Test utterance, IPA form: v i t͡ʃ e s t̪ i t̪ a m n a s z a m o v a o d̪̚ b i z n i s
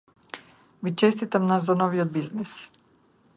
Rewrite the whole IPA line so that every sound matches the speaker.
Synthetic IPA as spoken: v i t͡ʃ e s t̪ i t̪ a m n a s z a n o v i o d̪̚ b i z n i s